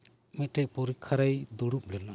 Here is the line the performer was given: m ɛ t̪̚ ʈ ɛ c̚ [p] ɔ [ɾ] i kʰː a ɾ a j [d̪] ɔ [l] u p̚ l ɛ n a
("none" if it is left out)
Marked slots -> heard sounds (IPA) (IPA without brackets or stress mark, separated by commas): p, ɾ, d̪, ɽ